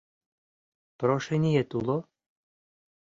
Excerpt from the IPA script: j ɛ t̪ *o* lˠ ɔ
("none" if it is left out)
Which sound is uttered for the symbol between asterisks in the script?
u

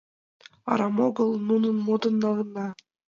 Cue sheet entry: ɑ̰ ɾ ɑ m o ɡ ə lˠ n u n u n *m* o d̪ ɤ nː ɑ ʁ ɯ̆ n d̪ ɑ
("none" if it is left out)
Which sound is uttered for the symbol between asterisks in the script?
m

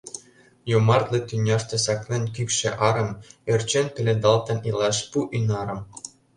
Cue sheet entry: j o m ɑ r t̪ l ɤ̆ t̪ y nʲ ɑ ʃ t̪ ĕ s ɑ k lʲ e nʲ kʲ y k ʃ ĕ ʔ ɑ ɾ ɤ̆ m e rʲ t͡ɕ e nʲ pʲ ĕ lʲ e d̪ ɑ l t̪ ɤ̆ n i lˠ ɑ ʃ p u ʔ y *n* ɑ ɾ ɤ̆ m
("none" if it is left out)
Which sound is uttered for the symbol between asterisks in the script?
n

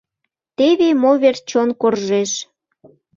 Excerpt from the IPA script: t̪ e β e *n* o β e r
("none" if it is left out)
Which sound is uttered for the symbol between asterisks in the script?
m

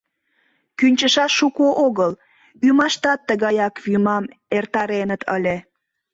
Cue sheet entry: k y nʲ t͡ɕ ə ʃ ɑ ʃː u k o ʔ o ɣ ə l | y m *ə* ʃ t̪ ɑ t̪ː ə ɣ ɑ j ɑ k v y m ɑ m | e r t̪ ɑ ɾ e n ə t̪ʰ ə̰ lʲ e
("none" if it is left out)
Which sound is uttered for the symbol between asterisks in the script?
ɑ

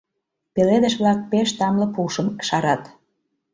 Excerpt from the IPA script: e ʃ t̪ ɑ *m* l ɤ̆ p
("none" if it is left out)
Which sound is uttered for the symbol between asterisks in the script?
m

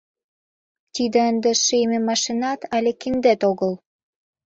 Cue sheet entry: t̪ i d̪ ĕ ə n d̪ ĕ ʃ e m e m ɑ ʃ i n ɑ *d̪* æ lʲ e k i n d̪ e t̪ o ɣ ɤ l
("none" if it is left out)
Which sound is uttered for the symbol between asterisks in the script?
t̪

